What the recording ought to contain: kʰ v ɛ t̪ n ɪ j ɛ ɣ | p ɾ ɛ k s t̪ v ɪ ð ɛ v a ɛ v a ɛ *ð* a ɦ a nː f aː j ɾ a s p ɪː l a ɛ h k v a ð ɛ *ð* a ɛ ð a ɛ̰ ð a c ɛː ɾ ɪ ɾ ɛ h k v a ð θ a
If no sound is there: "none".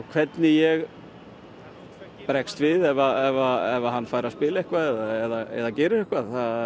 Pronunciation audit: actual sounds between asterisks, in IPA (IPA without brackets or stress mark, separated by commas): v, ð